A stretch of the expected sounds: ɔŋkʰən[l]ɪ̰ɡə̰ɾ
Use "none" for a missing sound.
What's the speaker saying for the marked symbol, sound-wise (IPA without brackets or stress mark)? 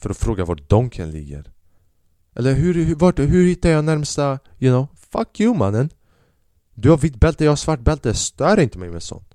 l